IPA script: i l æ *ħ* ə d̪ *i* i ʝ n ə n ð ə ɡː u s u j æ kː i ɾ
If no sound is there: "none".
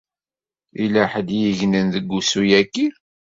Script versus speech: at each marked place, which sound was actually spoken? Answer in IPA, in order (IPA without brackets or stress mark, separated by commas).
ħ, j